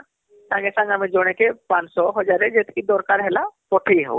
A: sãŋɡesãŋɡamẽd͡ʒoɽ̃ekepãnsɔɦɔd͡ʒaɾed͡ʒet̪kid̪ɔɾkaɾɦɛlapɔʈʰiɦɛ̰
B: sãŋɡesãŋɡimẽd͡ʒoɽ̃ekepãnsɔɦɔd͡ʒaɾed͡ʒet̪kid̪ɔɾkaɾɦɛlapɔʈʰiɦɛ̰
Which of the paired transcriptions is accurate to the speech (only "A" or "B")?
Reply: A